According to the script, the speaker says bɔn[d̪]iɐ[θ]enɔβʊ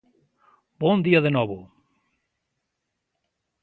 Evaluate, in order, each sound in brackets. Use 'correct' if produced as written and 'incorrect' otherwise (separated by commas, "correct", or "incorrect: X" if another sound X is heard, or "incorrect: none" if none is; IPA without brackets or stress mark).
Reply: correct, incorrect: ð